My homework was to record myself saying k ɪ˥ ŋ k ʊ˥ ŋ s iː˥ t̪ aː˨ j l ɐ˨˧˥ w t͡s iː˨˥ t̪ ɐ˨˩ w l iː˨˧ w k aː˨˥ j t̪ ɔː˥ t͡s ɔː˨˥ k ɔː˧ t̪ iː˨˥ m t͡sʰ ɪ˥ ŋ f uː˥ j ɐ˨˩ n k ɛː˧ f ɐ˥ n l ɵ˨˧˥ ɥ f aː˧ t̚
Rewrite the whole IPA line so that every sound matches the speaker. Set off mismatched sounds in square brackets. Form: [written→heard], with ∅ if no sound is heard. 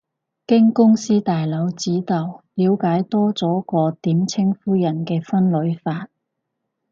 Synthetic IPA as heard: k ɪ˥ ŋ k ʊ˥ ŋ s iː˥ t̪ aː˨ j l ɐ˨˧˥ w t͡s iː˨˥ t̪ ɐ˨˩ w l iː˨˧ w k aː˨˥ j t̪ ɔː˥ t͡s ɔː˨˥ k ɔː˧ t̪ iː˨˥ m t͡sʰ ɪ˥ ŋ f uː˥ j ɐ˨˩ n k ɛː˧ f ɐ˥ n l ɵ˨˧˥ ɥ f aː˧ t̚